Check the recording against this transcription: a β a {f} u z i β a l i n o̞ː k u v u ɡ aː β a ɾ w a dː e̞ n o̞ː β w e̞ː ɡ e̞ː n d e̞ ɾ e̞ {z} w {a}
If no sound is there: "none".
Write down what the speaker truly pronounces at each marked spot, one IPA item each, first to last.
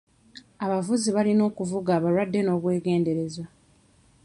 v, z, a

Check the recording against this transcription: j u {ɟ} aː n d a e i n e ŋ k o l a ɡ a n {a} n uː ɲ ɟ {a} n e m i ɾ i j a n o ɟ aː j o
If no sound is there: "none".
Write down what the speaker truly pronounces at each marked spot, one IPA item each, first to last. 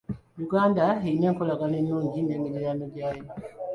ɡ, e, i

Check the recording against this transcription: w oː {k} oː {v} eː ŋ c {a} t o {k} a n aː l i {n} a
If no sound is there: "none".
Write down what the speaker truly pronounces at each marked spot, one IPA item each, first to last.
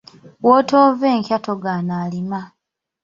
t, v, a, ɡ, m

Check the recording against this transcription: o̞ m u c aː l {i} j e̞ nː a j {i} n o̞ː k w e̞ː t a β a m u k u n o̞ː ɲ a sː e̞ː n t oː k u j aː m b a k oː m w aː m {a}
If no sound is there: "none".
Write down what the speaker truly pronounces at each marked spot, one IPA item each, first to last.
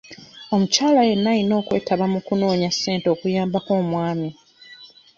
a, i, i

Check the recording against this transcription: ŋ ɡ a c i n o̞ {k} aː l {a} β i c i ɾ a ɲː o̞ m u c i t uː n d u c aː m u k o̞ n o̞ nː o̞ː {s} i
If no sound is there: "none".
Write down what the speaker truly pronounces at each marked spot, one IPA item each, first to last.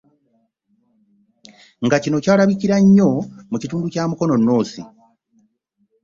c, a, s

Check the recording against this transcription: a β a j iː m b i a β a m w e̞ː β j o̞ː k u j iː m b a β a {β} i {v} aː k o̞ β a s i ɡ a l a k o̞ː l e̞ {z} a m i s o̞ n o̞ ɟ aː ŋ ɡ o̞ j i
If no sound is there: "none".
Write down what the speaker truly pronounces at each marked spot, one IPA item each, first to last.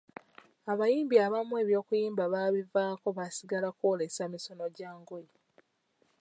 β, v, s

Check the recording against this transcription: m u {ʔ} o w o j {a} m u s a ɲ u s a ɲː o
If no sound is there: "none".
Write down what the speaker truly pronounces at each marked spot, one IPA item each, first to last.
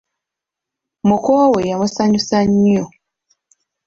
k, a

